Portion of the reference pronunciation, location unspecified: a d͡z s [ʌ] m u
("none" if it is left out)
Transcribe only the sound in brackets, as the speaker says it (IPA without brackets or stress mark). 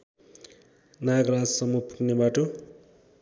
ʌ